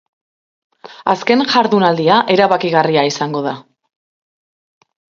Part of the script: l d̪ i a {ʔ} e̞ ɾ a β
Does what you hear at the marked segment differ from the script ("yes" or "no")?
no